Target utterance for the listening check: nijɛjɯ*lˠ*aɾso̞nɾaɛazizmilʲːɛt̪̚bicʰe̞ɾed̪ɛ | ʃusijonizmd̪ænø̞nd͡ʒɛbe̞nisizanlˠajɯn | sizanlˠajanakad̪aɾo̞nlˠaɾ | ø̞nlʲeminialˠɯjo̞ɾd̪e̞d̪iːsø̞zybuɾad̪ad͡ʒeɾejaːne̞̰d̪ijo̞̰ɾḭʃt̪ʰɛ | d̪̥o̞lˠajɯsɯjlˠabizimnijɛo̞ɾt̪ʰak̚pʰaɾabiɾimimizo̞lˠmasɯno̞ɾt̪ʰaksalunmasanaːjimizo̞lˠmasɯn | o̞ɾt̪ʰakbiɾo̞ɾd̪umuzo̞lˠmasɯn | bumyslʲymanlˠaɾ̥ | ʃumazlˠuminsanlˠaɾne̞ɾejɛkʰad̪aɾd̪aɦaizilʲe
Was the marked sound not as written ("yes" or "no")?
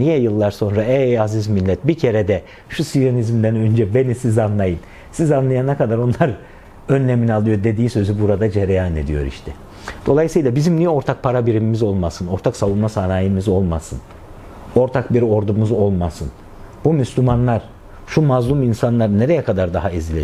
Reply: yes